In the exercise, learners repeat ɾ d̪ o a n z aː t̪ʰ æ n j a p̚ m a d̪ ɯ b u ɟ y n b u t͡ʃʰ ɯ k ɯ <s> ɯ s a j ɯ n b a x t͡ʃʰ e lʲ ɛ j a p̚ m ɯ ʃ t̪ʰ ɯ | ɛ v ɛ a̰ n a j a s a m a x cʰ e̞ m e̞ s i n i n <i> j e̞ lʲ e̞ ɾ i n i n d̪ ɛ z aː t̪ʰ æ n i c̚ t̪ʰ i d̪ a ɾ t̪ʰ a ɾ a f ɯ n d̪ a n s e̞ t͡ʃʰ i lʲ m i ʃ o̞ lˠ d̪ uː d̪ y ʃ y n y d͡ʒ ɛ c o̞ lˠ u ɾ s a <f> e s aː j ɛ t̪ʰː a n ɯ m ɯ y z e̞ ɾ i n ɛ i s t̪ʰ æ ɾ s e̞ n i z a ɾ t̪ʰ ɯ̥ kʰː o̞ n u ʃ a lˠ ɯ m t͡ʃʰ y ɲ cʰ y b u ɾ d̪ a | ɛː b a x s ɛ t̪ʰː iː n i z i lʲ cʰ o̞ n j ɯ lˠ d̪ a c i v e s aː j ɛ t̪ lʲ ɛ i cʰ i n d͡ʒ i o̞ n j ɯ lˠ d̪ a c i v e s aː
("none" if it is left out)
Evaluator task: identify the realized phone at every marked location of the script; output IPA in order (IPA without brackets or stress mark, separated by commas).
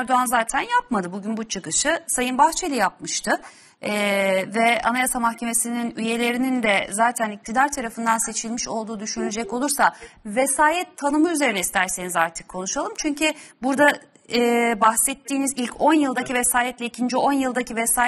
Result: ʃ, y, v